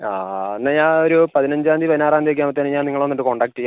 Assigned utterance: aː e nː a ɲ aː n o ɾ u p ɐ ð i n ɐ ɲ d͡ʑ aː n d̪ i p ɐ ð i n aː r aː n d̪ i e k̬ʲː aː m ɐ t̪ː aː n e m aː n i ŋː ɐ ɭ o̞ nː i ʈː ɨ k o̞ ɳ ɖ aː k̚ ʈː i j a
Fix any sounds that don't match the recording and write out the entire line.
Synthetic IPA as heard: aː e nː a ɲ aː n o ɾ u p ɐ ð i n ɐ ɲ d͡ʑ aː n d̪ i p ɐ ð i n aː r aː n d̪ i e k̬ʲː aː m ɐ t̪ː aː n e ɲ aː n i ŋː ɐ ɭ o̞ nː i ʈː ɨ k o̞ ɳ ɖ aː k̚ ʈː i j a